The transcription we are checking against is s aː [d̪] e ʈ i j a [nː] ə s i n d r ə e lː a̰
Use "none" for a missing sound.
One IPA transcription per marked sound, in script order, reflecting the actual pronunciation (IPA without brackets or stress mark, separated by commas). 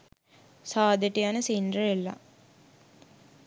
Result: d̪, n